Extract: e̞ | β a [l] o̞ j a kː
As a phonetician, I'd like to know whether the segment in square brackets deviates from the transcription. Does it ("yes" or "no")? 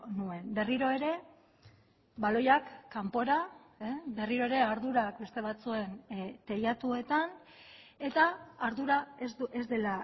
no